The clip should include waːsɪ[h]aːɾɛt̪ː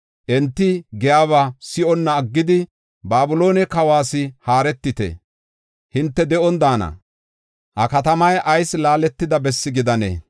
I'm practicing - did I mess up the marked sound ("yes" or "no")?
no